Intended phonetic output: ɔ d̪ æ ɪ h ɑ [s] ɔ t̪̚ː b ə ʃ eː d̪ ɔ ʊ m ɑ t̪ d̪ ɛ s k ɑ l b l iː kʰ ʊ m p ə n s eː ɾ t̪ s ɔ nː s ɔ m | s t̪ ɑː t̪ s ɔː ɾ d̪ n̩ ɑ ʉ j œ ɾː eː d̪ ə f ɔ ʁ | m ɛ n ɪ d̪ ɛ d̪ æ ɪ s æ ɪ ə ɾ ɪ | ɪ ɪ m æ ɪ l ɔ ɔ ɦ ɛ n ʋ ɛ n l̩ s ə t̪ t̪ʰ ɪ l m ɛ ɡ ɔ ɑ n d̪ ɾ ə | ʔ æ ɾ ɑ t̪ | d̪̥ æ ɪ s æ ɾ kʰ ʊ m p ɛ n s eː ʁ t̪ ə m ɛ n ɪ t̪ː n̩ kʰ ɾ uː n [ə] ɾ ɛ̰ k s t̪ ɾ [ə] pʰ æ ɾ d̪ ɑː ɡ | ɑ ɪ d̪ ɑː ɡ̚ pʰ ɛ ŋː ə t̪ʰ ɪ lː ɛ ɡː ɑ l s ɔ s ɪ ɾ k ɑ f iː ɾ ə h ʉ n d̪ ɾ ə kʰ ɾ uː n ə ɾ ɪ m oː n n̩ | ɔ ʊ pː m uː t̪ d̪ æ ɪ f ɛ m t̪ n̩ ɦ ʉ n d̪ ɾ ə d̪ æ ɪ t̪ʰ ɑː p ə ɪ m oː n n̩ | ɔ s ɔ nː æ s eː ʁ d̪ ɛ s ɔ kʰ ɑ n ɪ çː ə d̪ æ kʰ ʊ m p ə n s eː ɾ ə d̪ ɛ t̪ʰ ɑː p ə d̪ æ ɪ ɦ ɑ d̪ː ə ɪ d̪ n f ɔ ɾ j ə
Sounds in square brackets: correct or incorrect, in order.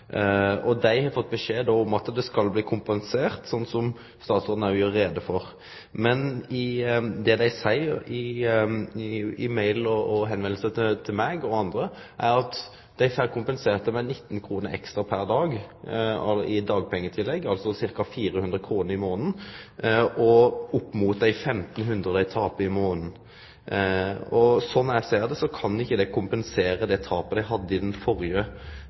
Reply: incorrect: f, correct, incorrect: ɑ

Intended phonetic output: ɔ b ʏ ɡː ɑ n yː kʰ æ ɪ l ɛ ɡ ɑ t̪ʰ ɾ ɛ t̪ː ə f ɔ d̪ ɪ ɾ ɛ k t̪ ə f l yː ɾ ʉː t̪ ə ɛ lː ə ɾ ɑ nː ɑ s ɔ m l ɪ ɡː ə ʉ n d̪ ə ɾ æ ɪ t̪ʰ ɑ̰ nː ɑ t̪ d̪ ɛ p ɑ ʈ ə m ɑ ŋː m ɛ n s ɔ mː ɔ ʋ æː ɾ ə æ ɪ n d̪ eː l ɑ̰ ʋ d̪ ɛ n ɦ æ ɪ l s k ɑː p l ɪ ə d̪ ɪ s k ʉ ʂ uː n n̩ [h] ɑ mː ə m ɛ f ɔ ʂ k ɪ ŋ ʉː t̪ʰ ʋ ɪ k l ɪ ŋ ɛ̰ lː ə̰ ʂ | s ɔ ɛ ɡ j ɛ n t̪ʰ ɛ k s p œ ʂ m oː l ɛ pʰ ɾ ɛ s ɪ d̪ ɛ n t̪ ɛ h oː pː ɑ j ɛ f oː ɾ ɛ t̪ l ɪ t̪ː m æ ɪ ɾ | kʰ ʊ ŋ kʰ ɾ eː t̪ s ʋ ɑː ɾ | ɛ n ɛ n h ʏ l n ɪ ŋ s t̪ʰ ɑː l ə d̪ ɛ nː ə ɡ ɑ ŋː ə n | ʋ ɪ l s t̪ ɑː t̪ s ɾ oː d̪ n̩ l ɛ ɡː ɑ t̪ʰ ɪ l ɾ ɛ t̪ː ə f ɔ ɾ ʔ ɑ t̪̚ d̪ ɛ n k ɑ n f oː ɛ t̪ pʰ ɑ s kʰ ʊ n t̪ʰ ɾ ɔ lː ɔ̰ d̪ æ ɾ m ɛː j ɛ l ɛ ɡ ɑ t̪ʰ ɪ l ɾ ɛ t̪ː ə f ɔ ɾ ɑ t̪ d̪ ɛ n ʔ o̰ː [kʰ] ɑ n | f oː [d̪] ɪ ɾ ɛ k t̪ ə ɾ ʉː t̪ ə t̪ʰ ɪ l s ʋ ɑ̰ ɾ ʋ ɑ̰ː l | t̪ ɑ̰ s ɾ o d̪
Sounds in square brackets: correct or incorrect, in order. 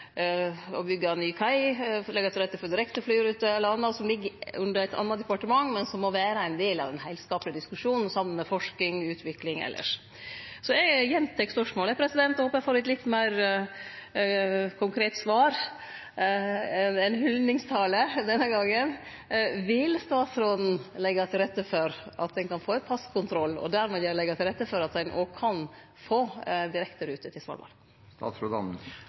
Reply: incorrect: s, correct, correct

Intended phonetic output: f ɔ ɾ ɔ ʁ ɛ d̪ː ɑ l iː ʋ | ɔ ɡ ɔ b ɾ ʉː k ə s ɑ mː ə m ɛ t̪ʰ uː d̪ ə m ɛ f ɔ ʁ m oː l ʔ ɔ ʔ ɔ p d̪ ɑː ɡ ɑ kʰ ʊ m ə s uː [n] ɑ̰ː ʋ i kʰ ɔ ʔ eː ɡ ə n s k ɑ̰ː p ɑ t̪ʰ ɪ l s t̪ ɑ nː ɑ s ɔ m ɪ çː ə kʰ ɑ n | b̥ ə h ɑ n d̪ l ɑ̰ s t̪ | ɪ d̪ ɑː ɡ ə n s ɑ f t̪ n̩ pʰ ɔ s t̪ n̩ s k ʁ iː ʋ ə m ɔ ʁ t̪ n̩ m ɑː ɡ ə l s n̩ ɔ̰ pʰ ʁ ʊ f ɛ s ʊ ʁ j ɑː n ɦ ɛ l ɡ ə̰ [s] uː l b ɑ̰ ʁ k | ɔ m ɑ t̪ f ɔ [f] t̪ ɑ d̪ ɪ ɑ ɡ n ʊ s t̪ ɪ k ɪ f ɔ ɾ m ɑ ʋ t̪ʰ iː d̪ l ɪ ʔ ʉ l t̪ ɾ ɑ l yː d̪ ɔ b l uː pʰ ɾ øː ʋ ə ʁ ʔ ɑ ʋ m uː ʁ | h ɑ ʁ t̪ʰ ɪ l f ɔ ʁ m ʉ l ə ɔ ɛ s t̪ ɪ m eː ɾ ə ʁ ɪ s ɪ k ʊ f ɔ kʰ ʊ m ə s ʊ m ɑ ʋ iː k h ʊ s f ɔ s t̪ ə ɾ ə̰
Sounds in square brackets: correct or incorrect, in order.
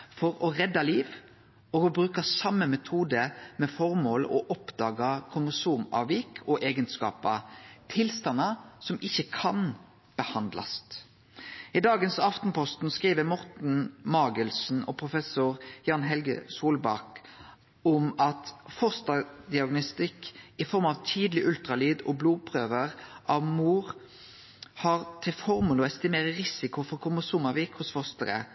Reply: incorrect: m, correct, incorrect: s

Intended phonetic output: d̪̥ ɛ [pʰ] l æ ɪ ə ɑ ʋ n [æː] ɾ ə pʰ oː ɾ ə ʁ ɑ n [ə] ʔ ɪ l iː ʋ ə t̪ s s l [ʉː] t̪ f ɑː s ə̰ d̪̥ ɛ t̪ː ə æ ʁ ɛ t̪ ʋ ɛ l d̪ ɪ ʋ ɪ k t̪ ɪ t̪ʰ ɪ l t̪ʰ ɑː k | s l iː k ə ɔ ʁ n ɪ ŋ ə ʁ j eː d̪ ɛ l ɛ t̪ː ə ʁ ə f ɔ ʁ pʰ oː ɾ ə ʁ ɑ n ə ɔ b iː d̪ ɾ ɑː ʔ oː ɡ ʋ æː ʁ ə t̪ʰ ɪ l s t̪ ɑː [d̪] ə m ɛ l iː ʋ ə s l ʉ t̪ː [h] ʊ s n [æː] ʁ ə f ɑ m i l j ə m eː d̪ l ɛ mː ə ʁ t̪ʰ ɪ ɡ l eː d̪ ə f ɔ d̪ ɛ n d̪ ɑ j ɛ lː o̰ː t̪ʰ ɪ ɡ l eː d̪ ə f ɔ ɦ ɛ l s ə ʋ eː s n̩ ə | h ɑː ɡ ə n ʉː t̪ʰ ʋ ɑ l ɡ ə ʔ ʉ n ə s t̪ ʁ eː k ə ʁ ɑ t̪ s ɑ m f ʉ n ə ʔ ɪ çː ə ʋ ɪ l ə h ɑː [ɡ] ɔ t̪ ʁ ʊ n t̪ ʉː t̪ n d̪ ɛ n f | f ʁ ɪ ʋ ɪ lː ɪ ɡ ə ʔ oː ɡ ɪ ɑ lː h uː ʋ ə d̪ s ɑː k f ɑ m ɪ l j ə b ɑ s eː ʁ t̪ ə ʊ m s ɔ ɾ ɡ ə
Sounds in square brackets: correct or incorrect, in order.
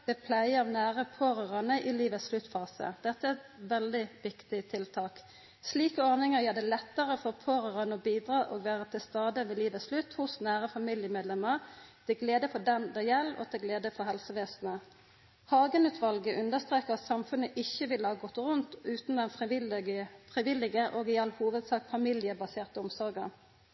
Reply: correct, correct, correct, incorrect: ʉ, correct, correct, correct, correct

